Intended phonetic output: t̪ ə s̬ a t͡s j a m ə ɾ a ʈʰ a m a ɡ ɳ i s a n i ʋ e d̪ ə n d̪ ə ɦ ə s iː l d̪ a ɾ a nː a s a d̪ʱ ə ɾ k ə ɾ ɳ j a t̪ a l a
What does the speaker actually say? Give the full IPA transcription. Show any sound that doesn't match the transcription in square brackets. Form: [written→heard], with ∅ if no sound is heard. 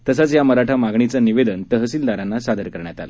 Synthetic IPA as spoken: t̪ ə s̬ a t͡s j a m ə ɾ a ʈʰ a m a ɡ ɳ i [s→t͡s] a n i ʋ e d̪ ə n [d̪→t̪] ə ɦ ə s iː l d̪ a ɾ a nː a s a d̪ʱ ə ɾ k ə ɾ ɳ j a t̪ a l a